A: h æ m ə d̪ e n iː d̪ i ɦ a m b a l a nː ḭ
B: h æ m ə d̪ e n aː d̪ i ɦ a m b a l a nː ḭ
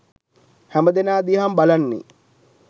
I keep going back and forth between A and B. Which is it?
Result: B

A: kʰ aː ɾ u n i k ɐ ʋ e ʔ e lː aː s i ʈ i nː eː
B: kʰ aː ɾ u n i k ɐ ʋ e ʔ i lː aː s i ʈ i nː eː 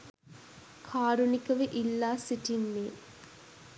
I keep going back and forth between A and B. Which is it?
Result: B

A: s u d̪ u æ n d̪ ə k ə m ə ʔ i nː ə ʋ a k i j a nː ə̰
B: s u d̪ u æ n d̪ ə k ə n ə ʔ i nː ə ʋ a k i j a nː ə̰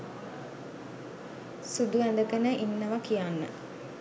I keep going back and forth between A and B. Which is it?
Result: B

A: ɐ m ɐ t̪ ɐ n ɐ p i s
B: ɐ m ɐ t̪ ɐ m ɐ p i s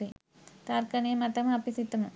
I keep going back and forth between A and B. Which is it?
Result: B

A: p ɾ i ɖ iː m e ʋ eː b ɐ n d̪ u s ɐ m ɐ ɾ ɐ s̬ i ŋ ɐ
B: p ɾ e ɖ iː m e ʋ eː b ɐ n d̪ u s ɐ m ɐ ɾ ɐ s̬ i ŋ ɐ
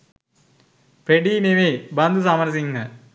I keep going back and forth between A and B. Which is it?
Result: B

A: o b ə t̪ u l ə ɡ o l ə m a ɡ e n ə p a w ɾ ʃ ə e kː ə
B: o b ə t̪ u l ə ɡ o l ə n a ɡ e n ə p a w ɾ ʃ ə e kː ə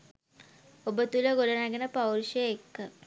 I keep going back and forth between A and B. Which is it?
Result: B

